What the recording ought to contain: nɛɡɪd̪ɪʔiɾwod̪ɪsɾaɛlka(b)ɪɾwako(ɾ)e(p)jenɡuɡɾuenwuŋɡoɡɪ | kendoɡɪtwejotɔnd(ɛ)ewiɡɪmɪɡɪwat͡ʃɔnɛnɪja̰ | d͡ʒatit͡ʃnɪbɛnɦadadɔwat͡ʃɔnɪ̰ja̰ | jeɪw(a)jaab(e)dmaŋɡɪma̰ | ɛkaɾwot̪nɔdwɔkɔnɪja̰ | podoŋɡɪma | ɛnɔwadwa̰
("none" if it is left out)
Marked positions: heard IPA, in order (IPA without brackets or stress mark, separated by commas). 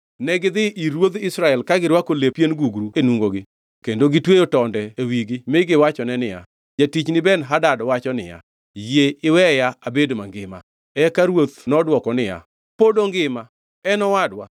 ɡ, l, p, ɛ, ɛ, e